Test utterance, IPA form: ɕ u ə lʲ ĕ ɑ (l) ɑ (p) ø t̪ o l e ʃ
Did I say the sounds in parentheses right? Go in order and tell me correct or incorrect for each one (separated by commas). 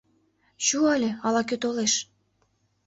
correct, incorrect